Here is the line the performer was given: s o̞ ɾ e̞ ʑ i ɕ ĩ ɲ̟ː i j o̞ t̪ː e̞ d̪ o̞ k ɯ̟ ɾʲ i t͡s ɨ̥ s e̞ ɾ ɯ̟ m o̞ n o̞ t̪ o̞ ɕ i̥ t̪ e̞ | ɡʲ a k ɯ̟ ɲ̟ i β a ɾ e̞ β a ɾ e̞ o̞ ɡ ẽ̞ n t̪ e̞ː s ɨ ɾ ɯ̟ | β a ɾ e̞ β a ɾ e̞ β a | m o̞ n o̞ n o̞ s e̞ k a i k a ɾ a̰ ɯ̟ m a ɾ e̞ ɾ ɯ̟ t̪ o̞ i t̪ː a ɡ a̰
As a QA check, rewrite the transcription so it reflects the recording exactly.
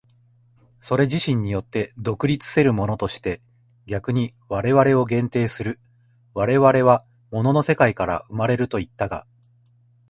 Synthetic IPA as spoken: s o̞ ɾ e̞ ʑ i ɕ ĩ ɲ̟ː i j o̞ t̪ː e̞ d̪ o̞ k ɯ̟ ɾʲ i t͡s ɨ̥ s e̞ ɾ ɯ̟ m o̞ n o̞ t̪ o̞ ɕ i̥ t̪ e̞ | ɡʲ a k ɯ̟ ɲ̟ i β a ɾ e̞ β a ɾ e̞ o̞ ɡ ẽ̞ n t̪ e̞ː s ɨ ɾ ɯ̟ | β a ɾ e̞ β a ɾ e̞ β a | m o̞ n o̞ n o̞ s e̞ k a i k a ɾ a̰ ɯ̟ m a ɾ e̞ ɾ ɯ̟ t̪ o̞ i t̪ː a ɡ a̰